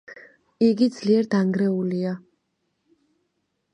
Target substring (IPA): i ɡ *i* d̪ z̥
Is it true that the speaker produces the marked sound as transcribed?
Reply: yes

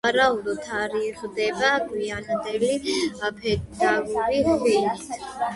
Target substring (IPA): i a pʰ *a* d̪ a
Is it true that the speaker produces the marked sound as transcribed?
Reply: no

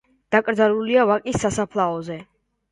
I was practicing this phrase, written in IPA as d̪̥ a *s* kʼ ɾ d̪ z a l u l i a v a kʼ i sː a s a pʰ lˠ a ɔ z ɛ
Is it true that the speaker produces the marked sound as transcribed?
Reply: no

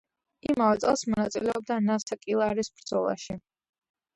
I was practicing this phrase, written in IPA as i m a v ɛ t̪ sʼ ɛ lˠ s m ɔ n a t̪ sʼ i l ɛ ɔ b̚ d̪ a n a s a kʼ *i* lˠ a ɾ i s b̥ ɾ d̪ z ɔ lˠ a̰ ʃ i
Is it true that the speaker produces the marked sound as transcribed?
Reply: yes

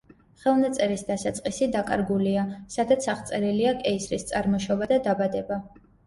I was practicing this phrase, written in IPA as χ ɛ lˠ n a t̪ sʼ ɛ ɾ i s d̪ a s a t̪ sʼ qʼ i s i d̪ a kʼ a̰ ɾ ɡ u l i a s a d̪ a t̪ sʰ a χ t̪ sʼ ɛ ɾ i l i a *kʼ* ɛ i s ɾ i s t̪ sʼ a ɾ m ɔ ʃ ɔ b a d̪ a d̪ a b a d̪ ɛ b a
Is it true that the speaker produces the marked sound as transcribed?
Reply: yes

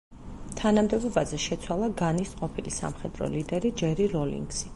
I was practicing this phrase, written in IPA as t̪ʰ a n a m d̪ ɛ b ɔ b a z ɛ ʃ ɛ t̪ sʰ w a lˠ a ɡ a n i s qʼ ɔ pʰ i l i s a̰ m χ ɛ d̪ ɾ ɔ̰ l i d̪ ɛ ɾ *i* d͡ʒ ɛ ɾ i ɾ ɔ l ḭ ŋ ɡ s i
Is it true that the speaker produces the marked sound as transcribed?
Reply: yes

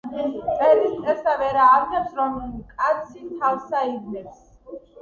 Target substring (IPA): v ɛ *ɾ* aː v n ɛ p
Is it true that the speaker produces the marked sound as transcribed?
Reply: yes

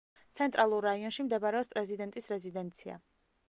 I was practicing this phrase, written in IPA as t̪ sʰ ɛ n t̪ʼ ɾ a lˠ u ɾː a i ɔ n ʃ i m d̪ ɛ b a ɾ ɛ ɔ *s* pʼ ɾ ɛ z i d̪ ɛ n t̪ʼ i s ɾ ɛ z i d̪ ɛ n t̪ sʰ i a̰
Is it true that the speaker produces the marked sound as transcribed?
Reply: yes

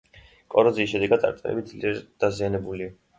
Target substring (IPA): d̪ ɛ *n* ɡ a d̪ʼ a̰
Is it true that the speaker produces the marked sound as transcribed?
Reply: no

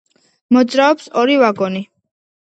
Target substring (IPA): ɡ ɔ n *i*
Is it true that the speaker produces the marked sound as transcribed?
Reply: yes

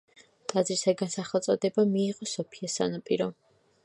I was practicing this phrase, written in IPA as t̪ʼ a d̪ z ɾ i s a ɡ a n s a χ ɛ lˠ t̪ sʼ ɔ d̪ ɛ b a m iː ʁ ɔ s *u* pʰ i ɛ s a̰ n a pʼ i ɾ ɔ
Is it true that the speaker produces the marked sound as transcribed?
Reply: no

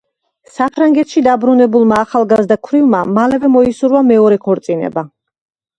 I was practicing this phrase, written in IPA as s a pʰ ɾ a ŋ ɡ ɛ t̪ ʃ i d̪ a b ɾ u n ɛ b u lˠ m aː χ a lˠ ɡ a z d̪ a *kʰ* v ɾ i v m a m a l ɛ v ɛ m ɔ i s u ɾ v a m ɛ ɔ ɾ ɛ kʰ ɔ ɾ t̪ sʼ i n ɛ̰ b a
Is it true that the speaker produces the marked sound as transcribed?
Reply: yes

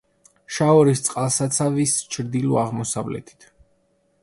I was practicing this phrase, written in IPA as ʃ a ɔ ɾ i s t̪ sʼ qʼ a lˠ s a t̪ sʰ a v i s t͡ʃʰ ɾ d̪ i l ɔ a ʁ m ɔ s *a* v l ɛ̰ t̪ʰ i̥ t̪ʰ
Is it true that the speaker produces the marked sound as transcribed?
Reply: yes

